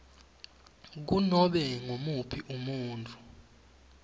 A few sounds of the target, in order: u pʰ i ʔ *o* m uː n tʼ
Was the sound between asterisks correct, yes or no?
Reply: no